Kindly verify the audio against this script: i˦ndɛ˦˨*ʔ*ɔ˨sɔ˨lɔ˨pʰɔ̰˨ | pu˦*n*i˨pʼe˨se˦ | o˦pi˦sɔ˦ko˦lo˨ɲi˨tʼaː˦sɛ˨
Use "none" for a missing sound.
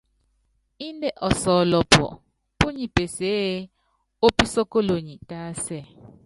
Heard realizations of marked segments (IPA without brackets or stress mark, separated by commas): ʔ, ɲ